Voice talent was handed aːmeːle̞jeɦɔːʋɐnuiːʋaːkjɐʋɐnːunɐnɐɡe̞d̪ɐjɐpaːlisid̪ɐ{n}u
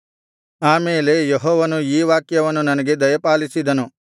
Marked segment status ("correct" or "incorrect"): correct